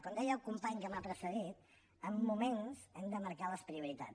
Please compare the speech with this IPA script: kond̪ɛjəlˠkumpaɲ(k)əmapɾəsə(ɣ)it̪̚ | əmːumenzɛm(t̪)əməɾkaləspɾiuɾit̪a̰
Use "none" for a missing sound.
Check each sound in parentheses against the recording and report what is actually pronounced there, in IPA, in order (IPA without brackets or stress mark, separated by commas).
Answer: k, ð, d̪